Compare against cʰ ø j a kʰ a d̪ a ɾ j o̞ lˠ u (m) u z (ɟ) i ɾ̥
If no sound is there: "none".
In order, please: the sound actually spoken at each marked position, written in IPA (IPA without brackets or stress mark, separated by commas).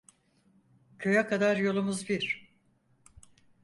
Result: m, b